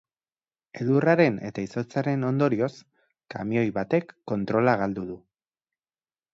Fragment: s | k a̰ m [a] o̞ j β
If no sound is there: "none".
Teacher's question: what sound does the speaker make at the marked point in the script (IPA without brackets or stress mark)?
i